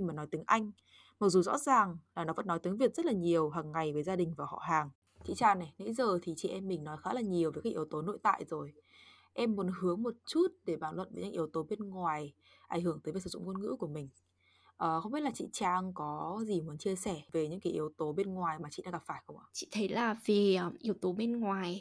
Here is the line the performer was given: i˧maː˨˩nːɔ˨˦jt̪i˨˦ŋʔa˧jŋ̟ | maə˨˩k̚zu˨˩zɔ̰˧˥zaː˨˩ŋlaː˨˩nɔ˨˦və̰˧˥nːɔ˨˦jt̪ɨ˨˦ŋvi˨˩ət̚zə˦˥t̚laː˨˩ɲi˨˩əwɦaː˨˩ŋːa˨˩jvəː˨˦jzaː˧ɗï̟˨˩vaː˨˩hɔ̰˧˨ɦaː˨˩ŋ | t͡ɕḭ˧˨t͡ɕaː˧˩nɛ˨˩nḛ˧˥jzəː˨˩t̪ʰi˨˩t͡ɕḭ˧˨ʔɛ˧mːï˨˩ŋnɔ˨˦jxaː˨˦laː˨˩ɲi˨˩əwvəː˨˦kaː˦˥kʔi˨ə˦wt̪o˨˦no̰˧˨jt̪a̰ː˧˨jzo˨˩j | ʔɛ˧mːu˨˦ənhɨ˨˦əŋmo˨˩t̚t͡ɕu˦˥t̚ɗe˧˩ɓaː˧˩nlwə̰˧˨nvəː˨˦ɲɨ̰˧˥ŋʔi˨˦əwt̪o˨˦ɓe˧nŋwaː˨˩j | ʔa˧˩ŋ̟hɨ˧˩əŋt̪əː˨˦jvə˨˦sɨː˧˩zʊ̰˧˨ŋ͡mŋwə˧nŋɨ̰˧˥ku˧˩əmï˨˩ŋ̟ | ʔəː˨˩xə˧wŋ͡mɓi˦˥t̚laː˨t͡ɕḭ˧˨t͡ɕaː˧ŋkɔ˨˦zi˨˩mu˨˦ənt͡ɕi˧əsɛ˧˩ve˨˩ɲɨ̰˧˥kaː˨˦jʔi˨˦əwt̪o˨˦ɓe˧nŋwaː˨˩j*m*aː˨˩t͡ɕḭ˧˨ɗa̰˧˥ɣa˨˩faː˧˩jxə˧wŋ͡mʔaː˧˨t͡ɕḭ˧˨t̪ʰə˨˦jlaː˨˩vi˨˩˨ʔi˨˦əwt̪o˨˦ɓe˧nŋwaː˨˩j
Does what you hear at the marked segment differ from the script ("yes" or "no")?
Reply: no